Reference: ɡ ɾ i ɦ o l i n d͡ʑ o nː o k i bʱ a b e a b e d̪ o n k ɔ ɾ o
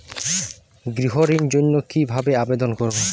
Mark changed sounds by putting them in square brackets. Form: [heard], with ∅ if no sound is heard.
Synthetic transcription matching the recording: ɡ ɾ i ɦ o [ɾ] i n d͡ʑ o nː o k i bʱ a b e a b e d̪ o n k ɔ ɾ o